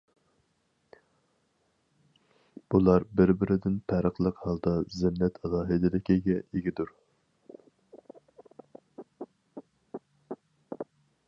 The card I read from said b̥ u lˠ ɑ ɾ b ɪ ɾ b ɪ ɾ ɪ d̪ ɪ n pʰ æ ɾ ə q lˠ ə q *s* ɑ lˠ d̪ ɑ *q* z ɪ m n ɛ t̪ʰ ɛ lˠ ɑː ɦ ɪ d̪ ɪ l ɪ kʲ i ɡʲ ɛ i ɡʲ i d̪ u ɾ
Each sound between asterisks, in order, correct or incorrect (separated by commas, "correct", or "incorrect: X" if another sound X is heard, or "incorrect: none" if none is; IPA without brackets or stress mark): incorrect: h, incorrect: none